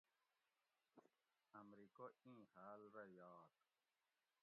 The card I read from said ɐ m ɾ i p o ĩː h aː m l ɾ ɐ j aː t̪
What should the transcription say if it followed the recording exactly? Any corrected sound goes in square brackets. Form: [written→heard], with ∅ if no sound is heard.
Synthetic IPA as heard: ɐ m ɾ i [p→k] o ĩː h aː [m→∅] l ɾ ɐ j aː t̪

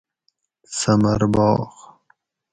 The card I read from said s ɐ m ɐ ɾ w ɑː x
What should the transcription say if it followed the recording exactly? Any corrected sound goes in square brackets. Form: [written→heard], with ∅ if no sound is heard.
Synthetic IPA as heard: s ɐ m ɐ ɾ [w→b] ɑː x

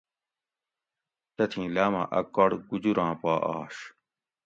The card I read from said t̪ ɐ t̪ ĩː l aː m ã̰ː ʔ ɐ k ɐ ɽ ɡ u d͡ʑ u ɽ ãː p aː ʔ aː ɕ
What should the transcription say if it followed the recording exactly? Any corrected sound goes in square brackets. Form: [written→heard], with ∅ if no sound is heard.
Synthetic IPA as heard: t̪ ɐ [t̪→t̪ʰ] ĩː l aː m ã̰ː ʔ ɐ k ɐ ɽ ɡ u d͡ʑ u [ɽ→ɾ] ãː p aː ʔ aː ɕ

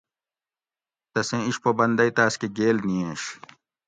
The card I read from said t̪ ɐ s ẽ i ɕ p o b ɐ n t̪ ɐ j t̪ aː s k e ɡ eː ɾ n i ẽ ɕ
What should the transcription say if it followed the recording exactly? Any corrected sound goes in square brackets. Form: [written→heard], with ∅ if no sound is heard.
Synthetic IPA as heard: t̪ ɐ s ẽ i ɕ p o b ɐ n [t̪→d̪] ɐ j t̪ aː s k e ɡ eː [ɾ→l] n i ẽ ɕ

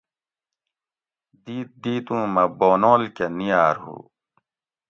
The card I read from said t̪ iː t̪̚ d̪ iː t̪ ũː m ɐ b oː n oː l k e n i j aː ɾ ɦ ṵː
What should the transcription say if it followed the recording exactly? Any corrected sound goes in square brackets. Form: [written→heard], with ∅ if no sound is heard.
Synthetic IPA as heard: [t̪→d̪] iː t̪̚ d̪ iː t̪ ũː m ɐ b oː n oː l k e n i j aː ɾ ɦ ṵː

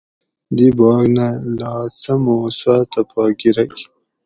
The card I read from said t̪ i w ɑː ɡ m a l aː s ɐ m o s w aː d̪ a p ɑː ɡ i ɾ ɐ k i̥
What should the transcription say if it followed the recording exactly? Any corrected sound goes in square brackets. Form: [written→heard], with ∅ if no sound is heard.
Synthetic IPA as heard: [t̪→d̪] i [w→b] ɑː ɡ [m→n] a l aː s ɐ m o s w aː [d̪→t̪] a p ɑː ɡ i ɾ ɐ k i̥

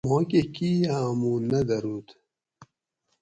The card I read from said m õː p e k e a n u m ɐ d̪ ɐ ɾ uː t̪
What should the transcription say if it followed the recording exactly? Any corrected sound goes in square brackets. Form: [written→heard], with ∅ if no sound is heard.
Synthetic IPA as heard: m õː [p→k] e k [e→i] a [n→m] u [m→n] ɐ d̪ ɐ ɾ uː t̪

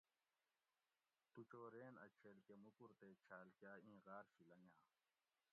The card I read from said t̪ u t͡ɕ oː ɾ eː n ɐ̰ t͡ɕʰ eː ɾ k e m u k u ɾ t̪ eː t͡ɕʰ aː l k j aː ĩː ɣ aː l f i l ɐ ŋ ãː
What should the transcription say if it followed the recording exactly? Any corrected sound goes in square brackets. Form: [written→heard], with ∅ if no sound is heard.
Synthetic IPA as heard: t̪ u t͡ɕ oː ɾ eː n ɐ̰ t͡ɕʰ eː [ɾ→l] k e m u k u ɾ t̪ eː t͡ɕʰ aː l k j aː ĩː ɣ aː [l→ɾ] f i l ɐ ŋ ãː

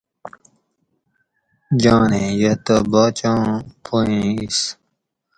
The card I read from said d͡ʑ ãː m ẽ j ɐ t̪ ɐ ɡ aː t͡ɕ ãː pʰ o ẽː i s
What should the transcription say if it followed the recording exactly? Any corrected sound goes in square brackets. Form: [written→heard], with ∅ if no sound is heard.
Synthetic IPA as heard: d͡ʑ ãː [m→n] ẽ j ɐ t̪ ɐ [ɡ→b] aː t͡ɕ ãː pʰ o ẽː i s

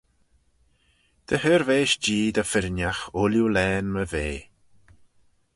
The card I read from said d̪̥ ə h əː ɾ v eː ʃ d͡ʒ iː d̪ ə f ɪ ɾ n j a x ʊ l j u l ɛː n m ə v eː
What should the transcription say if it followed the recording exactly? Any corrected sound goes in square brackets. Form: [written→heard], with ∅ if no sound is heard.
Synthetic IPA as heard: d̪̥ ə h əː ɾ v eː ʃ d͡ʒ iː d̪ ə f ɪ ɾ n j a x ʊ l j u l ɛː n m ə v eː

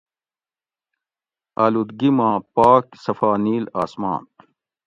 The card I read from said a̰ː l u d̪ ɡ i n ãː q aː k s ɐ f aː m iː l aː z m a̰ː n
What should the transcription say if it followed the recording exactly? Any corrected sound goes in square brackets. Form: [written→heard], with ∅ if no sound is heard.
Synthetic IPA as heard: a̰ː l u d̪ ɡ i [n→m] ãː [q→p] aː k s ɐ f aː [m→n] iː l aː [z→s] m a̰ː n

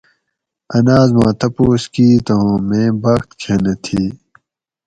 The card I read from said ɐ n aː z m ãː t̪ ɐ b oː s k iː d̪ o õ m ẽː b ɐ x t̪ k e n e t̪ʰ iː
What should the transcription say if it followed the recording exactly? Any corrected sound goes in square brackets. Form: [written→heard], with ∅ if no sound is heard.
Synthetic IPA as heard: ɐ n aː z m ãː t̪ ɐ [b→p] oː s k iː [d̪→t̪] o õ m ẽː b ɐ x t̪ [k→kʰ] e n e t̪ʰ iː

